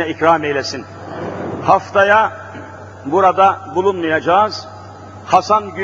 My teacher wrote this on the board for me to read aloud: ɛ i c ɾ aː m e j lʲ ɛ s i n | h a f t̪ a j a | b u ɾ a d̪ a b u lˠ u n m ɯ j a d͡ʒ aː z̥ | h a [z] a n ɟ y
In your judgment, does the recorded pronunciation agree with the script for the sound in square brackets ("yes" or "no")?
no